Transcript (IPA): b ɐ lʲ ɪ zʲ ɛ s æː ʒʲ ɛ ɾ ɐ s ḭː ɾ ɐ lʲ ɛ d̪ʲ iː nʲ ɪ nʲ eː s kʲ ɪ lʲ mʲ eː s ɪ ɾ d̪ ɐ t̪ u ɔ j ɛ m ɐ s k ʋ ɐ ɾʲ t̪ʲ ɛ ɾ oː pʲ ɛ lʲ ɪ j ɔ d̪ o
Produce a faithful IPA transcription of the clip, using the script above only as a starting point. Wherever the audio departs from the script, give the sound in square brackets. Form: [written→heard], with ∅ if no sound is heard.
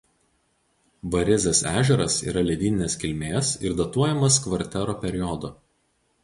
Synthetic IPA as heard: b ɐ [lʲ→ɾʲ] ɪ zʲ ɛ s æː ʒʲ ɛ ɾ ɐ s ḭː ɾ ɐ lʲ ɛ d̪ʲ iː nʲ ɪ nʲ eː s kʲ ɪ lʲ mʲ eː s ɪ ɾ d̪ ɐ t̪ u ɔ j ɛ m ɐ s k ʋ ɐ ɾʲ t̪ʲ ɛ ɾ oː pʲ ɛ [lʲ→ɾʲ] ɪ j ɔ d̪ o